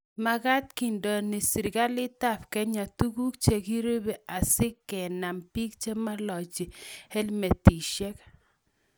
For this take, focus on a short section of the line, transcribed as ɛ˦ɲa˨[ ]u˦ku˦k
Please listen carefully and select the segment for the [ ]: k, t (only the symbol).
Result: t